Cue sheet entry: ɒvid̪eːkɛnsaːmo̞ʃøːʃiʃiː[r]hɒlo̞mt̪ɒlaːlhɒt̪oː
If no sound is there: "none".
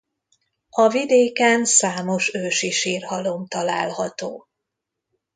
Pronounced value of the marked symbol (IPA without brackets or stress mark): r